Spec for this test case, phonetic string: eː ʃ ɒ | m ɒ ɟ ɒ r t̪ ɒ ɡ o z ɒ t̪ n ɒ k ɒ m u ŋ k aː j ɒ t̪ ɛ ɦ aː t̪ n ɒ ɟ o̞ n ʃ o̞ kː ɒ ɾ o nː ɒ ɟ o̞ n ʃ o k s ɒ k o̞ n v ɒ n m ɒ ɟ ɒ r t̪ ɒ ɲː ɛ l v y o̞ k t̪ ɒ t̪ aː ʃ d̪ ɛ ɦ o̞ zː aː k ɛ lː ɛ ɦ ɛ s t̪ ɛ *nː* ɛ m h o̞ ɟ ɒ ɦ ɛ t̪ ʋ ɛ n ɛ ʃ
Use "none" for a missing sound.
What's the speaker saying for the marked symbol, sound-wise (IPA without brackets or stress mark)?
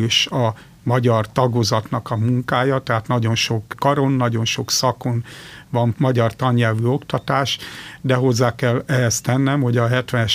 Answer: nː